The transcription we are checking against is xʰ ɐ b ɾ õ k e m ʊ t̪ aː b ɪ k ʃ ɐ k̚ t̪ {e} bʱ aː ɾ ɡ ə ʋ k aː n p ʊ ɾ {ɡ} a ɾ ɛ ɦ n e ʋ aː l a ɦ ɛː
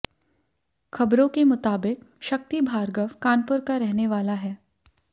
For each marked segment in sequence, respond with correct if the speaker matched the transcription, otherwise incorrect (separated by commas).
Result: incorrect, incorrect